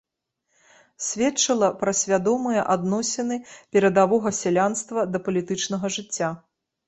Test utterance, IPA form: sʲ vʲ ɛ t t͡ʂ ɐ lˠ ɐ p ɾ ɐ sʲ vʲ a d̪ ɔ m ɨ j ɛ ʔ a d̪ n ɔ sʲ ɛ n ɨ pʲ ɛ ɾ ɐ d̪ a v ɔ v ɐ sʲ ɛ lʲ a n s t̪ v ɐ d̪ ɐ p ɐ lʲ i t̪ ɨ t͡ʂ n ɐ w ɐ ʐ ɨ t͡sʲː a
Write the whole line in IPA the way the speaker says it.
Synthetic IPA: sʲ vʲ ɛ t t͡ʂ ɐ lˠ ɐ p ɾ ɐ sʲ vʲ a d̪ ɔ m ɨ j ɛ ʔ a d̪ n ɔ sʲ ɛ n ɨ pʲ ɛ ɾ ɐ d̪ a v ɔ ɣ ɐ sʲ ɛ lʲ a n s t̪ v ɐ d̪ ɐ p ɐ lʲ i t̪ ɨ t͡ʂ n ɐ ɣ ɐ ʐ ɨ t͡sʲː a